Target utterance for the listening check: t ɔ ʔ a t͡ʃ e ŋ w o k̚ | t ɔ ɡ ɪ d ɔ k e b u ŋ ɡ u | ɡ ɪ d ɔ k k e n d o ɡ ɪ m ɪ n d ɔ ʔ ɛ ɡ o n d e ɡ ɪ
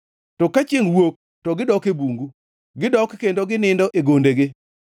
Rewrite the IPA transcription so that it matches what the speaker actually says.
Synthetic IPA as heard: t ɔ k a t͡ʃ e ŋ w o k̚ | t ɔ ɡ ɪ d ɔ k e b u ŋ ɡ u | ɡ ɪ d ɔ k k e n d o ɡ ɪ n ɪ n d ɔ ʔ e ɡ o n d e ɡ ɪ